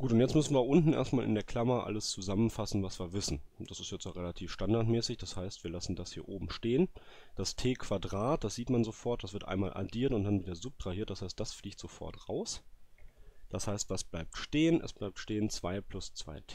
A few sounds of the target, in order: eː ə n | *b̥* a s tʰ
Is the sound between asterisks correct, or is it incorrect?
incorrect